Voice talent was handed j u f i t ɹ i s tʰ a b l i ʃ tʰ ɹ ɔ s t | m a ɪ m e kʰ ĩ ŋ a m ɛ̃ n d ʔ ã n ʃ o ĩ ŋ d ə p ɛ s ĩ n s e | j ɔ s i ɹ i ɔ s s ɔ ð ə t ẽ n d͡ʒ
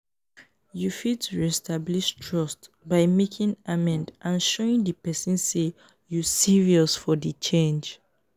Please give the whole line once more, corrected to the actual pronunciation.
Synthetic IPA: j u f i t ɹ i s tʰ a b l i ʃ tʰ ɹ ɔ s t | b a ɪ m e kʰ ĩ ŋ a m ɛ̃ n d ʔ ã n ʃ o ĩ ŋ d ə p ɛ s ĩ n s e | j u s i ɹ i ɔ s f ɔ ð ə t͡ʃ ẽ n d͡ʒ